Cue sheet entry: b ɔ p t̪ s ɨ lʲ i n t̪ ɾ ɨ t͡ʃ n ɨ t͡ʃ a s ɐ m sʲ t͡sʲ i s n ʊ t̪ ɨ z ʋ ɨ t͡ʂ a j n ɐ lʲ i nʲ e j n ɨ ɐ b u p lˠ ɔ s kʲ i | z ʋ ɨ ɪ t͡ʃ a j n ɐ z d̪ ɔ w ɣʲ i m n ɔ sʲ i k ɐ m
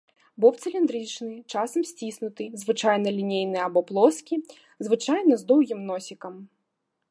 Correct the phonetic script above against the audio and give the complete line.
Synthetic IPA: b ɔ p t̪ s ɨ lʲ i n d̪ ɾ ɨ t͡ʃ n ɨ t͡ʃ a s ɐ m sʲ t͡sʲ i s n ʊ t̪ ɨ z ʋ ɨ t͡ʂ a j n ɐ lʲ i nʲ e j n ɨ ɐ b ɔ p lˠ ɔ s kʲ i | z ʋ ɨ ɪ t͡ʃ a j n ɐ z d̪ ɔ w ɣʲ i m n ɔ sʲ i k ɐ m